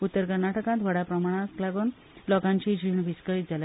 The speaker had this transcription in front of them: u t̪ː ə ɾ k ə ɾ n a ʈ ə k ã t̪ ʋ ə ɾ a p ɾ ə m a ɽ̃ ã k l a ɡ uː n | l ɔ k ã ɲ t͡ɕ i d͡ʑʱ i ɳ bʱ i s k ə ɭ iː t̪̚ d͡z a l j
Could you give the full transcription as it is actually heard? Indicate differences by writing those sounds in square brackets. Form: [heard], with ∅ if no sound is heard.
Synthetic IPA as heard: u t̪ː ə ɾ k ə ɾ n a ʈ ə k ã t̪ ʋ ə [ɽ] a p ɾ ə m a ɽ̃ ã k l a ɡ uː n | l ɔ k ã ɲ t͡ɕ i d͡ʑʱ i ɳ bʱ i s k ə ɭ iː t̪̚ d͡z a l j

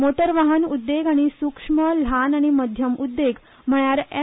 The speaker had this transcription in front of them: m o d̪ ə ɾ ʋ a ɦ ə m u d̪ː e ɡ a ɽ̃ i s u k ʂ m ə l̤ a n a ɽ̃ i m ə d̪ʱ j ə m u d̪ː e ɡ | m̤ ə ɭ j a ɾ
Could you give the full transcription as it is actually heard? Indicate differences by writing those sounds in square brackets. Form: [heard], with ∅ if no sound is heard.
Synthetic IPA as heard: m o [t̪] ə ɾ ʋ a ɦ ə [n] u d̪ː e ɡ a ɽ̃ i s u k ʂ m ə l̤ a n a ɽ̃ i m ə d̪ʱ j ə m u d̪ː e ɡ | m̤ ə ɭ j a ɾ

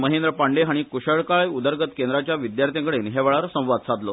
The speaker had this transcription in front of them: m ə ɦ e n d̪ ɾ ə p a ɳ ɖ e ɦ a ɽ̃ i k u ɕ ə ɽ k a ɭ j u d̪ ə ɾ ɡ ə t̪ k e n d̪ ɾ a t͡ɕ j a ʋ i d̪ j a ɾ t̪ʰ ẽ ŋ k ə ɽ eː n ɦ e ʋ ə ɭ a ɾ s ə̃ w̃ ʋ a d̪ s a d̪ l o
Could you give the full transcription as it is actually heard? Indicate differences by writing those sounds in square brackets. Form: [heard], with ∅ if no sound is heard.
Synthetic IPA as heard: m ə ɦ e n d̪ ɾ ə p a ɳ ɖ e ɦ a ɽ̃ i k u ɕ ə [ɭ] k a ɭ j u d̪ ə ɾ ɡ ə t̪ k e n d̪ ɾ a t͡ɕ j a ʋ i d̪ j a ɾ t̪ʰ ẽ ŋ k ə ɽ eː n ɦ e ʋ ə ɭ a ɾ s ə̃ w̃ ʋ a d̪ s a d̪ l o

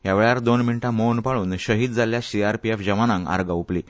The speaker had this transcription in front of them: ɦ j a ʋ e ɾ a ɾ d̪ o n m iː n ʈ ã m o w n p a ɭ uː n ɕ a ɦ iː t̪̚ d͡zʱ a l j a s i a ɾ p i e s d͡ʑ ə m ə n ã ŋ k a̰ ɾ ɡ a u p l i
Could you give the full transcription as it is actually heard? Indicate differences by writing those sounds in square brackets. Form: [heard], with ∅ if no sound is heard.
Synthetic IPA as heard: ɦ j a ʋ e [ɭ] a ɾ d̪ o n m [i] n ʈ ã m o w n p a ɭ uː n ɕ [ə] ɦ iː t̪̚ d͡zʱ a l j a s i a ɾ p i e [f] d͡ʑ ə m [a] n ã ŋ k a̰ ɾ ɡ a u p l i

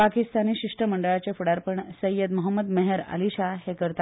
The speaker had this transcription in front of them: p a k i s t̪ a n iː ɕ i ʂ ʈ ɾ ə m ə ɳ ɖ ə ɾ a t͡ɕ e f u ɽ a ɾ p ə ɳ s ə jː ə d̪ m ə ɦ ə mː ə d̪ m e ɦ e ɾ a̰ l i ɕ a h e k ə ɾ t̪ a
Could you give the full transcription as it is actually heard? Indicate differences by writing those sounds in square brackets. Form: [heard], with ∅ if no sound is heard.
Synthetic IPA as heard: p a k i s t̪ a n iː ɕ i ʂ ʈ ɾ ə m ə ɳ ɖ ə [ɭ] a t͡ɕ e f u ɽ a ɾ p ə ɳ s ə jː ə d̪ m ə ɦ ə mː ə d̪ m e ɦ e ɾ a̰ l i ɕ a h e k ə ɾ t̪ a

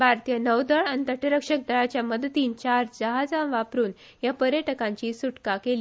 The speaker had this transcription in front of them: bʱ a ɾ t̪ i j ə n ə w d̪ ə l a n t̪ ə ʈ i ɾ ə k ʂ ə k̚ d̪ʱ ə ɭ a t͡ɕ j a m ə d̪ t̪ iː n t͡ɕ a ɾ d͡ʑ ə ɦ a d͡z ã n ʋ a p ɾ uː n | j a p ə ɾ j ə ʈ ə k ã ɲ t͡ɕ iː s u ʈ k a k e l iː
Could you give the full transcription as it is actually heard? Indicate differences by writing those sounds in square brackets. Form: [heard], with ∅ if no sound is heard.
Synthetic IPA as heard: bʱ a ɾ t̪ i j ə n ə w d̪ ə [ɭ] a n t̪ ə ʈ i ɾ ə k ʂ ə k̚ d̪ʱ ə ɭ a t͡ɕ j a m ə d̪ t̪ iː n t͡ɕ a ɾ d͡ʑ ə ɦ a d͡z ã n ʋ a p ɾ uː n | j a p ə ɾ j ə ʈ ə k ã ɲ t͡ɕ iː s u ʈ k a k e l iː

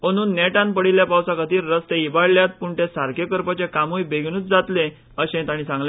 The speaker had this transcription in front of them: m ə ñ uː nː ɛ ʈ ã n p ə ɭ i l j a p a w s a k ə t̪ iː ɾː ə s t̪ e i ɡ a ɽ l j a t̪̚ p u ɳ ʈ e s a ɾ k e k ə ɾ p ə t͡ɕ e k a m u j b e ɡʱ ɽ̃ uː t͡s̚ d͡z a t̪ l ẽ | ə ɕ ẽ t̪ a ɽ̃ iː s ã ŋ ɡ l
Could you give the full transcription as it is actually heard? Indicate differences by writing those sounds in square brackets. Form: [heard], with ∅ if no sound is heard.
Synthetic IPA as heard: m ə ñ uː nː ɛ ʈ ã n p ə [ɽ] i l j a p a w s a k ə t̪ iː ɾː ə s t̪ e i [b] a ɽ l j a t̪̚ p u ɳ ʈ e s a ɾ k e k ə ɾ p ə t͡ɕ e k a m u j b e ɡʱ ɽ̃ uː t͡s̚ d͡z a t̪ l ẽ | ə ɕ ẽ t̪ a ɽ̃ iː s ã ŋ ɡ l

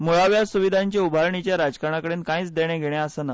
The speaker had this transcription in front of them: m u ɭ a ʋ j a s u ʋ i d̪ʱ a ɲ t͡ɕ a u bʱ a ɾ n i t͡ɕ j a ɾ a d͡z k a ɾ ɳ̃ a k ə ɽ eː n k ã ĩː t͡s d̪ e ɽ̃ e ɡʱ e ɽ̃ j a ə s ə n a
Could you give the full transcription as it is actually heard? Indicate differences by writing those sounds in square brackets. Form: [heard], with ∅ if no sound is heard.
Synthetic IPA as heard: m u ɭ a ʋ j a s u ʋ i d̪ʱ a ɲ t͡ɕ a u bʱ a ɾ [ɳ] i t͡ɕ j a ɾ a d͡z k a ɾ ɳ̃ a k ə ɽ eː n k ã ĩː t͡s d̪ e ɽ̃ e ɡʱ e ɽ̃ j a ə s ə n a

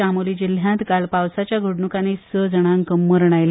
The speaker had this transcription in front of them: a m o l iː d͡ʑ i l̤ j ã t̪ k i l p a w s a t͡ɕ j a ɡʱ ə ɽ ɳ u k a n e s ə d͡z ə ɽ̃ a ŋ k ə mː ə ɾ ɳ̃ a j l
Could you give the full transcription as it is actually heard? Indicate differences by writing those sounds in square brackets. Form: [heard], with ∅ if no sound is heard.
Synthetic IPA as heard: a m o l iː d͡ʑ i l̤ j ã t̪ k [a] l p a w s a t͡ɕ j a ɡʱ ə ɽ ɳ u k a n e s ə d͡z ə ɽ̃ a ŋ k ə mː ə ɾ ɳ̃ a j l

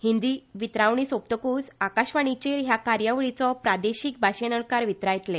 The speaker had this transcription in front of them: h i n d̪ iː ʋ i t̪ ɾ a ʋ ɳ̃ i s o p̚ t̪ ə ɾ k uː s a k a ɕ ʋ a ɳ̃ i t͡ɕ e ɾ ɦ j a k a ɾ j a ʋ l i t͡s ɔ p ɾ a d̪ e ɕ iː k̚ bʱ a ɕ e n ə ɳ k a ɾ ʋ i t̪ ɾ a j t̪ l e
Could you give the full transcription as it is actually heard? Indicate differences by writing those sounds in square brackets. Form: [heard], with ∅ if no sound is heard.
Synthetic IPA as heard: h i n d̪ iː ʋ i t̪ ɾ a ʋ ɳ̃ i s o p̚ t̪ ə [∅] k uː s a k a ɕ ʋ a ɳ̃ i t͡ɕ e ɾ ɦ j a k a ɾ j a ʋ [ɭ] i t͡s ɔ p ɾ a d̪ e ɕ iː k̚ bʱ a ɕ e n ə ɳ k a ɾ ʋ i t̪ ɾ a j t̪ l e

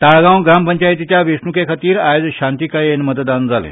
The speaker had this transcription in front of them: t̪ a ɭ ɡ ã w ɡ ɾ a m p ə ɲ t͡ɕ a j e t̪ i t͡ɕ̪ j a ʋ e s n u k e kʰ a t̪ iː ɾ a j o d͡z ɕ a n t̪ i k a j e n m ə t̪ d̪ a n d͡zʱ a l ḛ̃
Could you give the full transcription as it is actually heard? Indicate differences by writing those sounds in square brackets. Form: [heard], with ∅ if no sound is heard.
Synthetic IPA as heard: t̪ a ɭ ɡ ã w ɡ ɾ a m p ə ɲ t͡ɕ a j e t̪ i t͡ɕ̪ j a ʋ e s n u k e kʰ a t̪ iː ɾ a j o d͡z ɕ a n t̪ i k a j e n m ə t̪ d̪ a n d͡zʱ a l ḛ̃

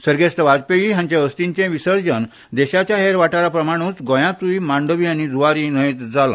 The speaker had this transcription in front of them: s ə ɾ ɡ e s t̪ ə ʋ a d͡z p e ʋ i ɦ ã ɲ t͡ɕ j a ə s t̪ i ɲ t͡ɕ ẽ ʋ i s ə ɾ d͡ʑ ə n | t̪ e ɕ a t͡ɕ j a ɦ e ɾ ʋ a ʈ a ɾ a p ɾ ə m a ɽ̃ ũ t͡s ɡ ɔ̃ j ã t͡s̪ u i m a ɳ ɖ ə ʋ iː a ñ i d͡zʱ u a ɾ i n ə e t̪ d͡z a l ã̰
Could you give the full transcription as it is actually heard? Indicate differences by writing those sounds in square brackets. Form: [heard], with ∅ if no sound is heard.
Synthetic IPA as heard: s ə ɾ ɡ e s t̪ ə ʋ a d͡z p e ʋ i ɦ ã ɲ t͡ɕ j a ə s t̪ i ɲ t͡ɕ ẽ ʋ i s ə ɾ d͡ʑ ə n | [d̪] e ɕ a t͡ɕ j a ɦ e ɾ ʋ a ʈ a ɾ a p ɾ ə m a ɽ̃ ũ t͡s ɡ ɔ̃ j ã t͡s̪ u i m a ɳ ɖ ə ʋ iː a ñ i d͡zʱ u a ɾ i n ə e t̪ d͡z a l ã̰

